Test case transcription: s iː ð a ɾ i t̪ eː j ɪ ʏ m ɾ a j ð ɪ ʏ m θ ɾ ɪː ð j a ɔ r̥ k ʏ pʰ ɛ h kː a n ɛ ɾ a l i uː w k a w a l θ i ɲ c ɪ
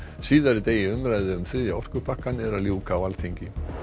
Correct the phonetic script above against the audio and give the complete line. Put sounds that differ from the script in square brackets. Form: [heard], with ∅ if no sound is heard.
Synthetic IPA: s iː ð a ɾ [ɪ] t̪ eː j ɪ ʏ m ɾ a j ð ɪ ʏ m θ ɾ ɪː ð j a ɔ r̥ k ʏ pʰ [a] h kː a n ɛ ɾ a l [j] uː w k a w a l θ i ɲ c ɪ